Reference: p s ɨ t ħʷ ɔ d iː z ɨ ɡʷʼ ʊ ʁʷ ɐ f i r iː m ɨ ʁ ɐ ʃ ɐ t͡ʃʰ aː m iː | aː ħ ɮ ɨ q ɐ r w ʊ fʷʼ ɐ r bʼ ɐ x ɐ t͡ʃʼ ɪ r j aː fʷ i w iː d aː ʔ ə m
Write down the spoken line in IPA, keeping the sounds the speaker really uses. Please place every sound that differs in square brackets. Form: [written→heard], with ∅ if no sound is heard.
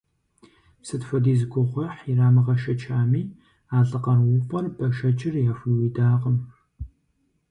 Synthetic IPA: p s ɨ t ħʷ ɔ d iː z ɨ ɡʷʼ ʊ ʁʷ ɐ [f→ħ] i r [iː→aː] m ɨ ʁ ɐ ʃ ɐ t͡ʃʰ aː m iː | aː [ħ→∅] ɮ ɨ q ɐ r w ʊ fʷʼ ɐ r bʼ ɐ [x→ʃ] ɐ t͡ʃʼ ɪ r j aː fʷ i w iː d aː [ʔ→q] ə m